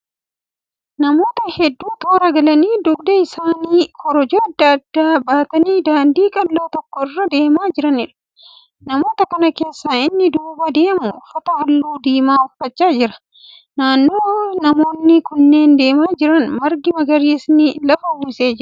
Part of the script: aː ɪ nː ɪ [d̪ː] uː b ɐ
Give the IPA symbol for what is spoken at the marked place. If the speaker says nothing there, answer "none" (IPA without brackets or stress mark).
d̪